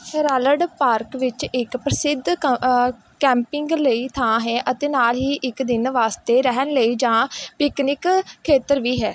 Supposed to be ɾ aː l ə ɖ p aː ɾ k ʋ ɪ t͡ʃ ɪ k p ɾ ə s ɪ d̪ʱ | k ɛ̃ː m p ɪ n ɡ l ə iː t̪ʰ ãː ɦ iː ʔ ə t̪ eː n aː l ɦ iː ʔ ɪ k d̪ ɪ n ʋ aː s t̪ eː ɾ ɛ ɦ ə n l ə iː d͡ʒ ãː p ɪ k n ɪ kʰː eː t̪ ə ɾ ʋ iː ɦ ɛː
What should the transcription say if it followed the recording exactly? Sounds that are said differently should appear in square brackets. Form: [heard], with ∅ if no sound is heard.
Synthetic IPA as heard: ɾ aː l ə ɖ p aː ɾ k ʋ ɪ t͡ʃ ɪ k p ɾ ə s ɪ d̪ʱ | k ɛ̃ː m p ɪ [ŋ] ɡ l ə iː t̪ʰ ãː ɦ [ɛː] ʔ ə t̪ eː n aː l ɦ iː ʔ ɪ k d̪ ɪ n ʋ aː s t̪ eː ɾ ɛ ɦ ə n l ə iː d͡ʒ ãː p ɪ k n ɪ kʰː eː t̪ ə ɾ ʋ iː ɦ ɛː